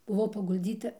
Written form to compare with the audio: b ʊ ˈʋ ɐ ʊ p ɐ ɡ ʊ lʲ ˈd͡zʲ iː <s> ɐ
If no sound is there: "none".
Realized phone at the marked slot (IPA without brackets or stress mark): t